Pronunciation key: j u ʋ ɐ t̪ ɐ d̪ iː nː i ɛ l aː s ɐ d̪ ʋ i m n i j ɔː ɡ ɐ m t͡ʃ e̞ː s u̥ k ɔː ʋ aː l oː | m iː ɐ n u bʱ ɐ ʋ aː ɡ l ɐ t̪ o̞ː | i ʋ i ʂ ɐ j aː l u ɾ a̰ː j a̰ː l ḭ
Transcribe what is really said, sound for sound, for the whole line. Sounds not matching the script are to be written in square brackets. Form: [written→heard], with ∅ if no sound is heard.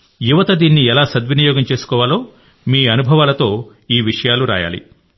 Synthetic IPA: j u ʋ ɐ t̪ ɐ d̪ iː nː i ɛ l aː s ɐ d̪ ʋ i [m→∅] n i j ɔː ɡ ɐ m t͡ʃ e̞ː s u̥ k ɔː ʋ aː l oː | m iː ɐ n u bʱ ɐ ʋ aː [ɡ→∅] l ɐ t̪ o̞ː | [i→iː] ʋ i ʂ ɐ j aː l u ɾ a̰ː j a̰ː l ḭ